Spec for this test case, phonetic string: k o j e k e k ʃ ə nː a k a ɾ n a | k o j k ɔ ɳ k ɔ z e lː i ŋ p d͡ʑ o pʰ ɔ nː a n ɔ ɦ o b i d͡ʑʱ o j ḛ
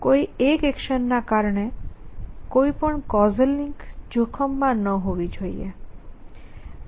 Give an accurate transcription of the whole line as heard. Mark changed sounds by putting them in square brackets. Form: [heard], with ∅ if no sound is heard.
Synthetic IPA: k o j e k e k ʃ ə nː a k a ɾ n [e] | k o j [p] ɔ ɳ k ɔ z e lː i ŋ [k] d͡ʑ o [kʰ] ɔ [mː] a n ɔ ɦ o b i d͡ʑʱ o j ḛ